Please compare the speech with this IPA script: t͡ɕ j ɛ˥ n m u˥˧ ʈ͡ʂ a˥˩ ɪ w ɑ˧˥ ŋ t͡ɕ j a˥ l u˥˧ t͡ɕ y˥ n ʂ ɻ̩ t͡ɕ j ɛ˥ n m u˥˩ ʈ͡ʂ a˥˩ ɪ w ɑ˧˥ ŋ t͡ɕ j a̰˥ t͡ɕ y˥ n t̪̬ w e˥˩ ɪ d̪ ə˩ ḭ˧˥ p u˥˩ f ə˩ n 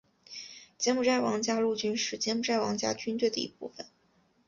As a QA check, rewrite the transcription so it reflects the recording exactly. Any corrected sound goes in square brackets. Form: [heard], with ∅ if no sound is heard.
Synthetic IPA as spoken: t͡ɕ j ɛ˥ n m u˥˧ ʈ͡ʂ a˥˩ ɪ w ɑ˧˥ ŋ t͡ɕ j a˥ l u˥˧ t͡ɕ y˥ n ʂ ɻ̩ t͡ɕ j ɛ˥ n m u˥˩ ʈ͡ʂ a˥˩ ɪ w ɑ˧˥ ŋ t͡ɕ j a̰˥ t͡ɕ y˥ n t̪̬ w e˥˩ ɪ d̪ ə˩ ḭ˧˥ p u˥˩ f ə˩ n